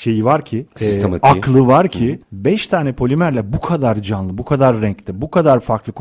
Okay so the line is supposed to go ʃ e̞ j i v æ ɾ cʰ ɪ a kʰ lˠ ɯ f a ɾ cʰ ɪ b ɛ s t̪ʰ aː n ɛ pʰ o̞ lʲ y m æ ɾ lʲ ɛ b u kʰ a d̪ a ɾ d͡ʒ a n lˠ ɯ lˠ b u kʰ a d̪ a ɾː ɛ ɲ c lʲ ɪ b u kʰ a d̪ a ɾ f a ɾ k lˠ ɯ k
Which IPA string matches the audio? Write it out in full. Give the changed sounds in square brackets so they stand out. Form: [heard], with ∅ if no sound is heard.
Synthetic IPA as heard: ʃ e̞ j i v [a] ɾ cʰ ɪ a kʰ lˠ ɯ [v] a ɾ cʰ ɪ b ɛ [ʃ] t̪ʰ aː n ɛ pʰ o̞ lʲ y m æ ɾ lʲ ɛ b u kʰ a d̪ a ɾ d͡ʒ a n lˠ ɯ [∅] b u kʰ a d̪ a ɾː ɛ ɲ c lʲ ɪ b u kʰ a d̪ a ɾ f a ɾ k lˠ ɯ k